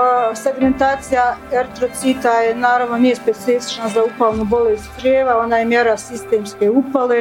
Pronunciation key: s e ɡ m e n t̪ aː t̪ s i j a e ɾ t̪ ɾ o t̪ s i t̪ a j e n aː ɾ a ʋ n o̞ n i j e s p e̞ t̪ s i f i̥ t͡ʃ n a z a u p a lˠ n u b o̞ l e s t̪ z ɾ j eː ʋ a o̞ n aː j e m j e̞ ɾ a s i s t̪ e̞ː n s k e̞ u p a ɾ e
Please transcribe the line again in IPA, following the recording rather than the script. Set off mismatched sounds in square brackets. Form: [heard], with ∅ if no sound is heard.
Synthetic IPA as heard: s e ɡ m e n t̪ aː t̪ s i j a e ɾ t̪ ɾ o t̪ s i t̪ a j e n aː ɾ a ʋ n o̞ n i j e s p e̞ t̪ s i f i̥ t͡ʃ n a z a u p a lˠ n u b o̞ l e s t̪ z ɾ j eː ʋ a o̞ n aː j e m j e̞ ɾ a s i s t̪ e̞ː [m] s k e̞ u p a [l] e